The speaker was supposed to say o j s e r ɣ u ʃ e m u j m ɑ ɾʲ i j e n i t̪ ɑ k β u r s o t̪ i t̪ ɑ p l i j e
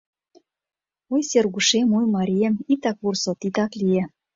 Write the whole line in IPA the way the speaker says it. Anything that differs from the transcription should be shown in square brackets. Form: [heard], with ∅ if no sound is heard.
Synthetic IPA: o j s e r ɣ u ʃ e m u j m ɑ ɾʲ i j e [m] i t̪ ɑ k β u r s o t̪ i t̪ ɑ [k] l i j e